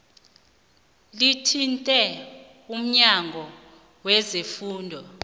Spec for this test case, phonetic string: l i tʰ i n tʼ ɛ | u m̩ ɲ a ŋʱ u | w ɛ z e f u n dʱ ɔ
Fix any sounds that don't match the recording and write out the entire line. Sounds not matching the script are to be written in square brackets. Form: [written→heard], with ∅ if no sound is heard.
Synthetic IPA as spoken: l i tʰ i n tʼ ɛ | u m̩ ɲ a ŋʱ [u→ɔ] | w ɛ z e f [u→uː] n dʱ ɔ